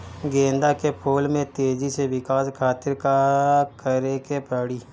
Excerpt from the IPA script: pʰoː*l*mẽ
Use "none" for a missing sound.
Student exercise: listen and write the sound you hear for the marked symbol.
l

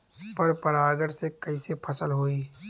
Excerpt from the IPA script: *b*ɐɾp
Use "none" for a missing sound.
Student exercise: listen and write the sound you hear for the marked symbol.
p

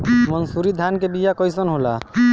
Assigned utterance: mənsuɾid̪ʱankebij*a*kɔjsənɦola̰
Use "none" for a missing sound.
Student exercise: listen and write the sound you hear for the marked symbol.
a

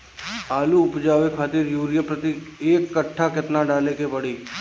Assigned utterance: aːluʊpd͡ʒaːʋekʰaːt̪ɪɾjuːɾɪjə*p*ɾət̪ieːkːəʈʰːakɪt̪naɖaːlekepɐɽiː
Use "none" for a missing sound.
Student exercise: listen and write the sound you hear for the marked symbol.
p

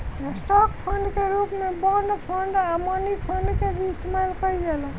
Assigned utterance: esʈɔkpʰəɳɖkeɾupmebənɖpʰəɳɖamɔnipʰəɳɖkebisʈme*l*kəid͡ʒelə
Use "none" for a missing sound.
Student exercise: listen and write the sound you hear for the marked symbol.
l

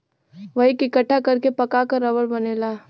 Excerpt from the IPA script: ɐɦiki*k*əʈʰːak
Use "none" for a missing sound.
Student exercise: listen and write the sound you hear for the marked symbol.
k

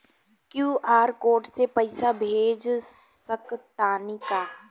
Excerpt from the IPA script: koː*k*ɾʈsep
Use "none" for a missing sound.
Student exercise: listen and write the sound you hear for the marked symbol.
none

